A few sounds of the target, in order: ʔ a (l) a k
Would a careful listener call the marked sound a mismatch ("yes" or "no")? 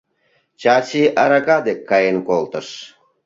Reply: yes